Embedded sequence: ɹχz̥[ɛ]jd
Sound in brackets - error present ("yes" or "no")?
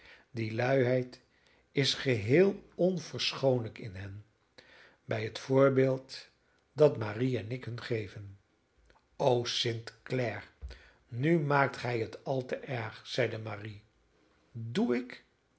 no